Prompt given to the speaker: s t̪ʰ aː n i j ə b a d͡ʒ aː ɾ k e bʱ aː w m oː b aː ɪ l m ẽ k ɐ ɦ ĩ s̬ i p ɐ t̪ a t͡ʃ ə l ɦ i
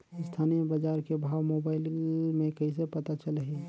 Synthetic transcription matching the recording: s t̪ʰ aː n i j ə b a d͡ʒ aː ɾ k e bʱ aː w m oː b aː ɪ l m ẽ k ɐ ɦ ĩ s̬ e p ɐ t̪ a t͡ʃ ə l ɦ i